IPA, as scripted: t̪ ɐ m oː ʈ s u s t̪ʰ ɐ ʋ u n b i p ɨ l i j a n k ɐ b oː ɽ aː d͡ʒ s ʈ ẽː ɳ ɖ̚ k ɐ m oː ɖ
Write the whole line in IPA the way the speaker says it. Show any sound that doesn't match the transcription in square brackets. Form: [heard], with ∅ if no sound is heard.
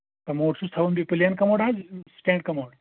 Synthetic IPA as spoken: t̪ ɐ m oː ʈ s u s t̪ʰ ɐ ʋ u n b i p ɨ l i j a n k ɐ [m] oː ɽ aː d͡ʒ s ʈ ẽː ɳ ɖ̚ k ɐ m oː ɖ